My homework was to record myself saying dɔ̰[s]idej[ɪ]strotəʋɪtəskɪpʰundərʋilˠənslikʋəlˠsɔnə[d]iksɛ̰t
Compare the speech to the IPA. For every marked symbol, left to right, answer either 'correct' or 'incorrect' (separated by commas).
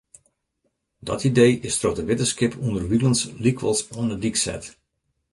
incorrect, correct, correct